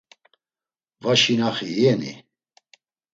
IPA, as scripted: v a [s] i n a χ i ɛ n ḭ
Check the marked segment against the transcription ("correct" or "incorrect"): incorrect